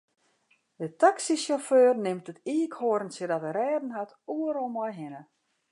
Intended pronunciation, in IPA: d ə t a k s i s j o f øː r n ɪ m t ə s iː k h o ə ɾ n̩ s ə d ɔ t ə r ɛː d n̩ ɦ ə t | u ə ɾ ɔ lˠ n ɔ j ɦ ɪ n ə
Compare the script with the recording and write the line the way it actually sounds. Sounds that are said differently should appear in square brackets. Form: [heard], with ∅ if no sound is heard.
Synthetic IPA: d ə t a k s i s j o f øː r n ɪ m t ə [t] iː k h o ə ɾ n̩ s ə d ɔ t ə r ɛː d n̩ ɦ [a] t | u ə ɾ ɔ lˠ [m] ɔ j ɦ ɪ n ə